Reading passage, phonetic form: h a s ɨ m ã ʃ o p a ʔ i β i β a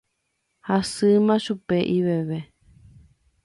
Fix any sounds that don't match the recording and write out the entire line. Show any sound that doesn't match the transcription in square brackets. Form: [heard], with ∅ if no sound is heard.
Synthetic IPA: h a s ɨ m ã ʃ [u] p [e] ʔ i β [e] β [e]